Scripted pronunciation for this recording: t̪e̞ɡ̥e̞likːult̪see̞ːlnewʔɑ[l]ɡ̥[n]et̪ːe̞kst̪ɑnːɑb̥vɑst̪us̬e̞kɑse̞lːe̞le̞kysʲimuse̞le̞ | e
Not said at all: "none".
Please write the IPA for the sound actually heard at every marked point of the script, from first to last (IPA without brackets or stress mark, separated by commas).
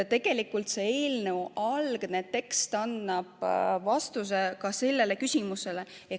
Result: l, n